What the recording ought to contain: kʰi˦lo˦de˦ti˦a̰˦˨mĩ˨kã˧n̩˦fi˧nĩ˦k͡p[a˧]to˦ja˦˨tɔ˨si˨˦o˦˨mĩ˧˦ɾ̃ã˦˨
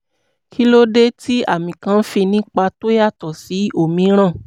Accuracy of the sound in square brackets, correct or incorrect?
correct